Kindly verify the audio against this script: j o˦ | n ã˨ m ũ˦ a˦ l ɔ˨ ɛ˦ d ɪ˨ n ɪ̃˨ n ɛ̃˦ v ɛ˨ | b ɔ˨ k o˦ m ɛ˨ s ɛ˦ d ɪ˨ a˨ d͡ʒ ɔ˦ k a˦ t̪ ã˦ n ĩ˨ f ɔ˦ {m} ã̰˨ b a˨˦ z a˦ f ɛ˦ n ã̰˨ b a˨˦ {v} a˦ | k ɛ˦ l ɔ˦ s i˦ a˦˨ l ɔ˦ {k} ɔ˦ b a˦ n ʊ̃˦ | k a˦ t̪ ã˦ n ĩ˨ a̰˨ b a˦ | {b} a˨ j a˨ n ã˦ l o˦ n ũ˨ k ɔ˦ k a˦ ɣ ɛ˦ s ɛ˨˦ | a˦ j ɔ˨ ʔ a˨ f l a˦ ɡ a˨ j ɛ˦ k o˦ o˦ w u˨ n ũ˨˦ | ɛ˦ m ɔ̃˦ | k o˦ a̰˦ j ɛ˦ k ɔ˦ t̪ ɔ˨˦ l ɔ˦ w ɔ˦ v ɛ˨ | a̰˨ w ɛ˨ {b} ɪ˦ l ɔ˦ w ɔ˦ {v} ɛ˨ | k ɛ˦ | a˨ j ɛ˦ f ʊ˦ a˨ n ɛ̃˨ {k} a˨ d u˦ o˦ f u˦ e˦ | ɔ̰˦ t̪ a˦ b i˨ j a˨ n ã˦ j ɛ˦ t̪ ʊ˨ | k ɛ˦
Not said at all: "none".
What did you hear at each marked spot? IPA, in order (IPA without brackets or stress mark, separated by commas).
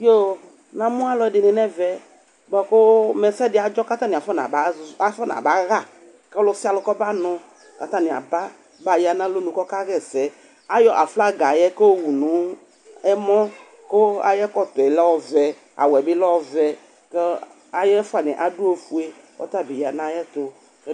n, ɣ, k, b, b, v, ʔ